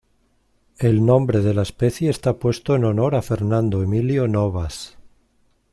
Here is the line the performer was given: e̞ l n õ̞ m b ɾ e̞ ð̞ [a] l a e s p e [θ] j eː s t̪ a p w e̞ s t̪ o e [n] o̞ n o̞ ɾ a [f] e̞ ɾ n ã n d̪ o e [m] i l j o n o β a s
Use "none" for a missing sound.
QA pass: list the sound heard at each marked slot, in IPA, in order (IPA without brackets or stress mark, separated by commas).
e, θ, n, f, m